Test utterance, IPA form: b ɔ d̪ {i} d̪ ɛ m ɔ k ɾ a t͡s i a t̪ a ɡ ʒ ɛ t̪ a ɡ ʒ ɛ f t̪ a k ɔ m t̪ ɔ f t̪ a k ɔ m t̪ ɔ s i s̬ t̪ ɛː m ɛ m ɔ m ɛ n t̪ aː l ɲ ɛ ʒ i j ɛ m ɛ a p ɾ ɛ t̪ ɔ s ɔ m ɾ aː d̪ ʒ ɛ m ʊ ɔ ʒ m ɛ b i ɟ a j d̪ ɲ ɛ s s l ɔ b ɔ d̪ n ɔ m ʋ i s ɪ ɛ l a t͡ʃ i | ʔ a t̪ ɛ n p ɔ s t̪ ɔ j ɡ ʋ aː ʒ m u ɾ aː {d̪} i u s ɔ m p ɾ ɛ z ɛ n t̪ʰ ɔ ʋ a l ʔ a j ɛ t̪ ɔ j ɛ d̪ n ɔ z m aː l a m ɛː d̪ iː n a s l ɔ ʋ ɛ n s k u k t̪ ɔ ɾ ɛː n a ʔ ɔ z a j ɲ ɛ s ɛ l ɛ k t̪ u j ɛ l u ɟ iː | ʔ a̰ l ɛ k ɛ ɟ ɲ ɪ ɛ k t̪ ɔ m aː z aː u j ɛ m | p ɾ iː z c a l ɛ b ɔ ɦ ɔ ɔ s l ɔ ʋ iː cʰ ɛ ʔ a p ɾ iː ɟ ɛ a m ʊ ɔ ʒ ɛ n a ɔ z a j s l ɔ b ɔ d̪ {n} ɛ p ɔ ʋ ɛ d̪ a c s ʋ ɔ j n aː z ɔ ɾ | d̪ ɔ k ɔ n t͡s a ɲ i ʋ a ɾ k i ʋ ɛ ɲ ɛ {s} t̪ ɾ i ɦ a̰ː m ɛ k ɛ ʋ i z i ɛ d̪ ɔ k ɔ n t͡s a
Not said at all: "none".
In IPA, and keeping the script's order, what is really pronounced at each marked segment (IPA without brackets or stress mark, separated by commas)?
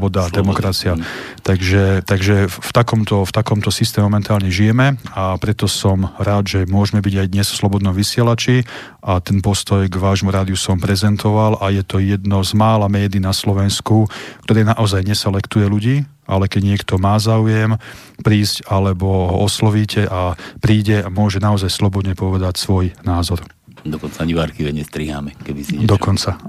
a, d̪, ɲ, s